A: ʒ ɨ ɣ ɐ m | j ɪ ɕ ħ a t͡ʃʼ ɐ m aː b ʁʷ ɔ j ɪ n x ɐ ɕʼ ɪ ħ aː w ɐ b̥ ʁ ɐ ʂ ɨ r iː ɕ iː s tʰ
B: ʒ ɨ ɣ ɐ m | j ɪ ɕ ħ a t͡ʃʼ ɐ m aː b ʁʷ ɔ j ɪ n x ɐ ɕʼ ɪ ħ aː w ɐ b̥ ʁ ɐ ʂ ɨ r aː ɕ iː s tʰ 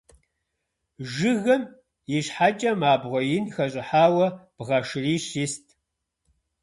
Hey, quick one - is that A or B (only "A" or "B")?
A